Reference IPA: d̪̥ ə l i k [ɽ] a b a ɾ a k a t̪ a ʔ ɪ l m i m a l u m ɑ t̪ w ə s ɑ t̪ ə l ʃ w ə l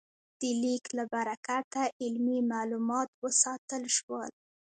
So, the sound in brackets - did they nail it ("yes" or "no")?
no